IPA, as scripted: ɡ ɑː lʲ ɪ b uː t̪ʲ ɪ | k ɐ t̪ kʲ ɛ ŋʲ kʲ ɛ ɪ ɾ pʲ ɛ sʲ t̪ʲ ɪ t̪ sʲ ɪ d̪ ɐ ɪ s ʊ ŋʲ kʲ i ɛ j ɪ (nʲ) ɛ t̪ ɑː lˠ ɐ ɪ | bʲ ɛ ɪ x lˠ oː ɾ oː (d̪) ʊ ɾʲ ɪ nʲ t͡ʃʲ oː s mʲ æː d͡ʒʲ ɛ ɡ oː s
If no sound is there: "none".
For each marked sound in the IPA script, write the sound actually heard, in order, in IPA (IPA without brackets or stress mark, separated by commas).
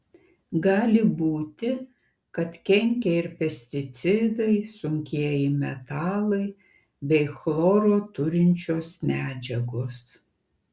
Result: mʲ, t̪